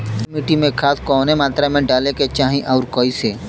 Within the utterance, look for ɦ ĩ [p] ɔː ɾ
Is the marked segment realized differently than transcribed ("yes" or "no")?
yes